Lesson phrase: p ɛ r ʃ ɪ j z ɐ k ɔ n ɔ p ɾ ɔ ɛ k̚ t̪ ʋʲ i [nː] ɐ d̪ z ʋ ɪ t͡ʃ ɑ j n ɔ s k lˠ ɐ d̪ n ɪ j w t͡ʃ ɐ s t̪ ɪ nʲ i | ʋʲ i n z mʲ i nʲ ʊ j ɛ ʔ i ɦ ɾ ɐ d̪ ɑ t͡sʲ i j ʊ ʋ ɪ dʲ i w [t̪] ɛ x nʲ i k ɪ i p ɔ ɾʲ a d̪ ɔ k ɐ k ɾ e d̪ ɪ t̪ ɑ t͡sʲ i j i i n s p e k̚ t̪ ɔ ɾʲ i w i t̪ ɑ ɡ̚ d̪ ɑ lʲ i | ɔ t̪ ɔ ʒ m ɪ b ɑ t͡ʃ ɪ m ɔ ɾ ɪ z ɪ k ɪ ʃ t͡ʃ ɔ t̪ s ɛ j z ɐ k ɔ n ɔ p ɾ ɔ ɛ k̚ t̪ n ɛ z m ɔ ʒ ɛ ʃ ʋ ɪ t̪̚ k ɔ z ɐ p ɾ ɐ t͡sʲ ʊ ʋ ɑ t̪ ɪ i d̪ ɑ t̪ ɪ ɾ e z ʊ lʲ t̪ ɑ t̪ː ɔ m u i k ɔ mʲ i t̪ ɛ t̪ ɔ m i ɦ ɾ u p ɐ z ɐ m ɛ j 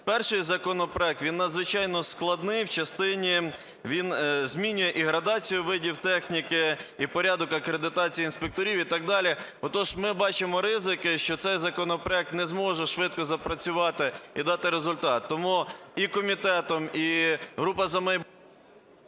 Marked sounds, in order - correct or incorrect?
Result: correct, correct

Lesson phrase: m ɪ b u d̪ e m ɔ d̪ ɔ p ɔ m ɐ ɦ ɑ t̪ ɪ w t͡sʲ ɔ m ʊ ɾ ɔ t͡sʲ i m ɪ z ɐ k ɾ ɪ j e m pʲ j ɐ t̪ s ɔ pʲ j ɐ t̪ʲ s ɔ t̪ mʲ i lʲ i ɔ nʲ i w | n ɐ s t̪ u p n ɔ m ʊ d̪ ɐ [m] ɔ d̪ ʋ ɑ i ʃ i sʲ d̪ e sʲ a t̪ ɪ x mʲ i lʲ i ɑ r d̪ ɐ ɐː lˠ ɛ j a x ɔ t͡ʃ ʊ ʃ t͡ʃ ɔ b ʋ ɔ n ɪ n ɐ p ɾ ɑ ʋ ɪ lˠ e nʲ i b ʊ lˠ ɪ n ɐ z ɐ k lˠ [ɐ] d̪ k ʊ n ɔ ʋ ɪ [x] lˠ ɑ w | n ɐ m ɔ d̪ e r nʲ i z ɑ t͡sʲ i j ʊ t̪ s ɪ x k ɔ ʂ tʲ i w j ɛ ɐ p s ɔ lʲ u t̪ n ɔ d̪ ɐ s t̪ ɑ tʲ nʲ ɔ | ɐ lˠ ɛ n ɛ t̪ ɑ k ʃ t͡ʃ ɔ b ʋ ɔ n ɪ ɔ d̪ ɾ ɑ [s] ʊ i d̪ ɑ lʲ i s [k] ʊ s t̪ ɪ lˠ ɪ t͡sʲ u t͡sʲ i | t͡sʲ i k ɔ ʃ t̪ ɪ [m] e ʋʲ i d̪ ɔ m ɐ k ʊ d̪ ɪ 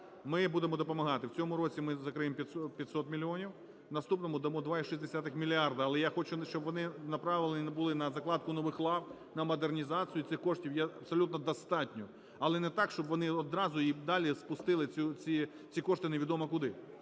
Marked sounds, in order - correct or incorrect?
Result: correct, incorrect: ɑ, correct, incorrect: z, incorrect: p, incorrect: n

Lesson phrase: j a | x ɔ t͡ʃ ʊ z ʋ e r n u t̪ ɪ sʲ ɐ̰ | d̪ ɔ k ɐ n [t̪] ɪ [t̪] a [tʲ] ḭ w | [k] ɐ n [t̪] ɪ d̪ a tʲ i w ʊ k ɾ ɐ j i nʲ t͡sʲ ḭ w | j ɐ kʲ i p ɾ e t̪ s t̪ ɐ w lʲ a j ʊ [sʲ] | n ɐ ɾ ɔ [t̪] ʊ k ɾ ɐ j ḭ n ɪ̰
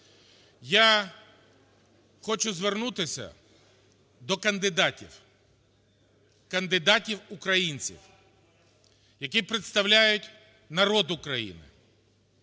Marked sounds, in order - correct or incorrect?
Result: incorrect: d̪, incorrect: d̪, correct, correct, incorrect: d̪, incorrect: tʲ, incorrect: d̪

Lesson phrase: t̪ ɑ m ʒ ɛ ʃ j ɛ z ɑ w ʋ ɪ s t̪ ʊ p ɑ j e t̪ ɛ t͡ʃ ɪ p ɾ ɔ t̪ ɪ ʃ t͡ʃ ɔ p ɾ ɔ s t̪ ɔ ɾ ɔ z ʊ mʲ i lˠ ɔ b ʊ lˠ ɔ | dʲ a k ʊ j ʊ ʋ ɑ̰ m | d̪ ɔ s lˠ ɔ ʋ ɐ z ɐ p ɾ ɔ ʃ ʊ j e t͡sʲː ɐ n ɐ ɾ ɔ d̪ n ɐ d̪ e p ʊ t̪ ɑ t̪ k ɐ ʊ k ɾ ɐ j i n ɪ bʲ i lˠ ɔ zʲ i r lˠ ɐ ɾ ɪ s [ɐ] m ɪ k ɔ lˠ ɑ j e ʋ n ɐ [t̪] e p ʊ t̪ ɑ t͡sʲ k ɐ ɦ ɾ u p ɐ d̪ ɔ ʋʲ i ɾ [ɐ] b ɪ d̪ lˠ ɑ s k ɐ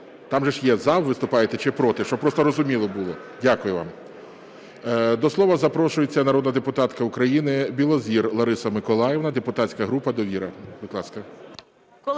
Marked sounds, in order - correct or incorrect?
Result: correct, incorrect: d̪, correct

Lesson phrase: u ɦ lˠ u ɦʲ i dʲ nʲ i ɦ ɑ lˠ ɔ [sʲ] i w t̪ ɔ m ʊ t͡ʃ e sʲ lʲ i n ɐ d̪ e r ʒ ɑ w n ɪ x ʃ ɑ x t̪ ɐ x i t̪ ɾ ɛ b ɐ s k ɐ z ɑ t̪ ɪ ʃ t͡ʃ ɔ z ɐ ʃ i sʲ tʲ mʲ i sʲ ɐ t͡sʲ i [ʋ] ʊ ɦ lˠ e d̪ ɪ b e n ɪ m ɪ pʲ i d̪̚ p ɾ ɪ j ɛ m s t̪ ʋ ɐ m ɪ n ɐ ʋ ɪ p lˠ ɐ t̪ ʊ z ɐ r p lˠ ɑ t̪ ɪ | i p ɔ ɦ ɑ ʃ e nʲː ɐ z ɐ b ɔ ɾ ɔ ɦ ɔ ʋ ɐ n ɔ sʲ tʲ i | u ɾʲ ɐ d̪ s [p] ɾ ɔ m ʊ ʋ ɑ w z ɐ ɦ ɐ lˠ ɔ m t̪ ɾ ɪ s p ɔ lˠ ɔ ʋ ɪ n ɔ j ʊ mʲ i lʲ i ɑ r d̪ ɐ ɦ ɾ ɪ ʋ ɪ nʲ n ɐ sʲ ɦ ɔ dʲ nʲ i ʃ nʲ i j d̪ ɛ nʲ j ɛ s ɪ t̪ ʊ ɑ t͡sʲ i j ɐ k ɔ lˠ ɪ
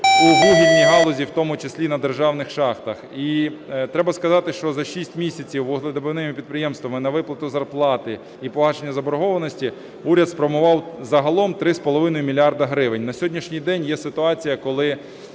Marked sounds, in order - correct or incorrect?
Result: incorrect: zʲ, incorrect: w, correct

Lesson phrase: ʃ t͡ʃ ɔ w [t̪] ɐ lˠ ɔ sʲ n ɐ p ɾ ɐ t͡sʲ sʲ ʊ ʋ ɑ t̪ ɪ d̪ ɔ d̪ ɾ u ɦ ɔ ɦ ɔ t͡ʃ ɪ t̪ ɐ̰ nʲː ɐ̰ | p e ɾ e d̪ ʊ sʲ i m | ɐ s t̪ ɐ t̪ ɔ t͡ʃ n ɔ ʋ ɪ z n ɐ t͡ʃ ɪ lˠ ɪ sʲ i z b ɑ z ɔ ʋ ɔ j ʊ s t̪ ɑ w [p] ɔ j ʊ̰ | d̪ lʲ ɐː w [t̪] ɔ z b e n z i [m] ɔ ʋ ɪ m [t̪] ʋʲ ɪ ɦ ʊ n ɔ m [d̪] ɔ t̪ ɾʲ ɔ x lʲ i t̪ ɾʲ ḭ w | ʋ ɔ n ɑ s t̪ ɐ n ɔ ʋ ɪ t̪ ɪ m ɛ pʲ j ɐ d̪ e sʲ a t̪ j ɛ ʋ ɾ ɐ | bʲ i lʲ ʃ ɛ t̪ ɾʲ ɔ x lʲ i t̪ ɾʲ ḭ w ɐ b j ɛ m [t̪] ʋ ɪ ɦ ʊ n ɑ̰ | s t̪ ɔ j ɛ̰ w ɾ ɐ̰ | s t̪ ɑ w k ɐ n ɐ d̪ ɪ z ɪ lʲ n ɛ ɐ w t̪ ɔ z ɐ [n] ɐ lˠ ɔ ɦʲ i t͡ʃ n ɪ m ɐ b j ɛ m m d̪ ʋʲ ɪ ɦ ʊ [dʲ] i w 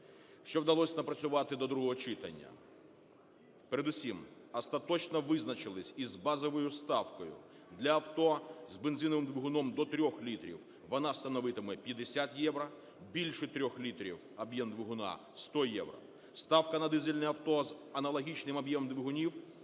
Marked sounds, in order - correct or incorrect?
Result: incorrect: d̪, incorrect: k, correct, incorrect: n, incorrect: d̪, correct, incorrect: d̪, correct, incorrect: nʲ

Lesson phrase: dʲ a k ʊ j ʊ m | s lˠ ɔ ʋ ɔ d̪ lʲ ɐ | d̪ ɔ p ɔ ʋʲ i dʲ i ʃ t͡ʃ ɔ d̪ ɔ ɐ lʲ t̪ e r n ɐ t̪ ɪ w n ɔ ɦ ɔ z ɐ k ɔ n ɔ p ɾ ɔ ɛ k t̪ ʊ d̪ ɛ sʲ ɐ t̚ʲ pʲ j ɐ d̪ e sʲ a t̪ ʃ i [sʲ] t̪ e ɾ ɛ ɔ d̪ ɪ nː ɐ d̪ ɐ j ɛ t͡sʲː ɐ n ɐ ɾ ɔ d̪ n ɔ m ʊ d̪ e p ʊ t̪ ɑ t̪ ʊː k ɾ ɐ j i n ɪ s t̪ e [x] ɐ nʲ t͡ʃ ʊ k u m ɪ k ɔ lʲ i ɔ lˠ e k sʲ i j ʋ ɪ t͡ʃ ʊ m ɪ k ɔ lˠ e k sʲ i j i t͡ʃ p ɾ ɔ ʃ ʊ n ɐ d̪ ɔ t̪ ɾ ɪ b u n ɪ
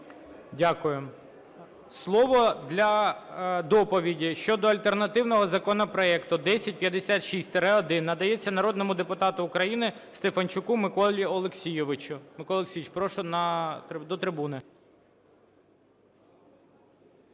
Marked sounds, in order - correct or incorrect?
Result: correct, incorrect: f

